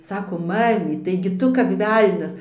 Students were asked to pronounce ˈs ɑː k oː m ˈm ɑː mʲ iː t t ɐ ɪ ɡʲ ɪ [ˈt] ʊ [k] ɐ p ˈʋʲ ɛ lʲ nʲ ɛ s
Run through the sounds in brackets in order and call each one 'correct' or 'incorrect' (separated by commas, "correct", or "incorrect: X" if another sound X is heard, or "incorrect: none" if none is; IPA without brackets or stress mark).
correct, correct